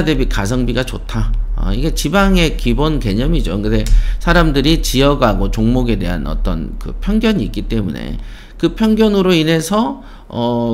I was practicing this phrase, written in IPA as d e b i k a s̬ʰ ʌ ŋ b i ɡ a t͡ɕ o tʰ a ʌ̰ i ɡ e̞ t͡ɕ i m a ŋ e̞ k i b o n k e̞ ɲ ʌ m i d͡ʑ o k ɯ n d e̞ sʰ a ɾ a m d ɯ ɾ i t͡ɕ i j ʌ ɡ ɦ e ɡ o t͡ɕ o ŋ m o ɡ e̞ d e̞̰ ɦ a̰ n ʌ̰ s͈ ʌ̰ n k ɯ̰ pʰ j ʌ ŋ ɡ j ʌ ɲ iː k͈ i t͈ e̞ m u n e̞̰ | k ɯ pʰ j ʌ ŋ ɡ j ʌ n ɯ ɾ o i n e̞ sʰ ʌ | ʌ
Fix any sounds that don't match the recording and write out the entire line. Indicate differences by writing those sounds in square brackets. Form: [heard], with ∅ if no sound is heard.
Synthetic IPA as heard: d e b i k a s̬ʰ ʌ ŋ b i ɡ a t͡ɕ o tʰ a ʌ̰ i ɡ e̞ t͡ɕ i [b] a ŋ e̞ k i b o n k e̞ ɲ ʌ m i d͡ʑ o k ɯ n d e̞ sʰ a ɾ a m d ɯ ɾ i t͡ɕ i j ʌ ɡ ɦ [a] ɡ o t͡ɕ o ŋ m o ɡ e̞ d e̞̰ ɦ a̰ n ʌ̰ [t͈] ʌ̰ n k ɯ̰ pʰ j ʌ ŋ ɡ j ʌ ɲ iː k͈ i t͈ e̞ m u n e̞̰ | k ɯ pʰ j ʌ ŋ ɡ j ʌ n ɯ ɾ o i n e̞ sʰ ʌ | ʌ

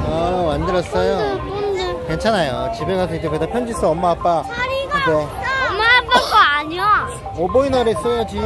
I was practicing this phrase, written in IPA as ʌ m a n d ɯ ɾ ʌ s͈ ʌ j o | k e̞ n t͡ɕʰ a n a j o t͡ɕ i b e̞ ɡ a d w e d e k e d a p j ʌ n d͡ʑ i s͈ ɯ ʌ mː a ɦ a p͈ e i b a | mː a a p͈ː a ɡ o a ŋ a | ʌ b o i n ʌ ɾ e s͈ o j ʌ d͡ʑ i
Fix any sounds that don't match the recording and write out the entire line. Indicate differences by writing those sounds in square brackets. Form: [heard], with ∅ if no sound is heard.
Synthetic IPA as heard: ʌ m a n d ɯ ɾ ʌ s͈ ʌ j o | k e̞ n t͡ɕʰ a n a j o t͡ɕ i b e̞ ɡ a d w e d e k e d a [pʰ] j ʌ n d͡ʑ i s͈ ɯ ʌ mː a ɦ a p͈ [a] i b [e] | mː a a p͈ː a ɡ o a [ɲ] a | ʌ b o i n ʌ ɾ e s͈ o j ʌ d͡ʑ i

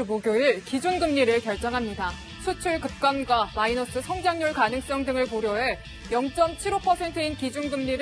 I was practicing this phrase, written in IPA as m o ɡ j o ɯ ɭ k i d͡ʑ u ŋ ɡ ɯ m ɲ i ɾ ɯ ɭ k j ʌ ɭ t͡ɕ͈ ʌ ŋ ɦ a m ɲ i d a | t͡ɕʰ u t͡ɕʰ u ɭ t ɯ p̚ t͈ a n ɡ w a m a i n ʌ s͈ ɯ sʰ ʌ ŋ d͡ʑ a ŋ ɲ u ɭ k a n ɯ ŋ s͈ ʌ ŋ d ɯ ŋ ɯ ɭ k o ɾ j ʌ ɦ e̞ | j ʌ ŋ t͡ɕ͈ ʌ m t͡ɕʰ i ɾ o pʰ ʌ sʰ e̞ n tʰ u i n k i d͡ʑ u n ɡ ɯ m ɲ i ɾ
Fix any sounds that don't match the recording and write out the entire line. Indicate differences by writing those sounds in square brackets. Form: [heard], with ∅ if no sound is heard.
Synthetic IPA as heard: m o ɡ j o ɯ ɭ k i d͡ʑ u [n] ɡ ɯ m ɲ i ɾ ɯ ɭ k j ʌ ɭ t͡ɕ͈ ʌ ŋ ɦ a m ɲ i d a | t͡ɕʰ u t͡ɕʰ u ɭ [k] ɯ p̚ [k͈] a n ɡ w a m a i n ʌ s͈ ɯ sʰ ʌ ŋ d͡ʑ a ŋ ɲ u ɭ k a n ɯ ŋ s͈ ʌ ŋ d ɯ ŋ ɯ ɭ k o ɾ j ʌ ɦ e̞ | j ʌ ŋ t͡ɕ͈ ʌ m t͡ɕʰ i ɾ o pʰ ʌ sʰ e̞ n tʰ [ɯ] i n k i d͡ʑ u n ɡ ɯ m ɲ i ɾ

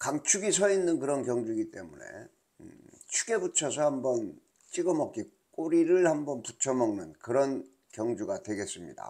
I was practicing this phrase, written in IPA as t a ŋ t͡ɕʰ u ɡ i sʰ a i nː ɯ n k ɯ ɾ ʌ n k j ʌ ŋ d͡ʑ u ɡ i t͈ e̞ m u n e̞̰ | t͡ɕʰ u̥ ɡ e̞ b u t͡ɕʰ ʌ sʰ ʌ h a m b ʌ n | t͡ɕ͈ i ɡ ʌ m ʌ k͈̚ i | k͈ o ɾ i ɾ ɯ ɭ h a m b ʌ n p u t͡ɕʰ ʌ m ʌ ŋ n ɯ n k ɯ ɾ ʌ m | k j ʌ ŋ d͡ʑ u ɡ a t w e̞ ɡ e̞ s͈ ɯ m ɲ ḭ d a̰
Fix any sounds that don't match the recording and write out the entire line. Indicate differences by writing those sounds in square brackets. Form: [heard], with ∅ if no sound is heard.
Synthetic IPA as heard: [k] a ŋ t͡ɕʰ u ɡ i sʰ [ʌ] i nː ɯ n k ɯ ɾ ʌ n k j ʌ ŋ d͡ʑ u ɡ i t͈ e̞ m u n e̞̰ | t͡ɕʰ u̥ ɡ e̞ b u t͡ɕʰ ʌ sʰ ʌ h a m b ʌ n | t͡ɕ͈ i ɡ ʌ m ʌ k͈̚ i | k͈ o ɾ i ɾ ɯ ɭ h a m b ʌ n p u t͡ɕʰ ʌ m ʌ ŋ n ɯ n k ɯ ɾ ʌ [n] | k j ʌ ŋ d͡ʑ u ɡ a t w e̞ ɡ e̞ s͈ ɯ m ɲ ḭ d a̰

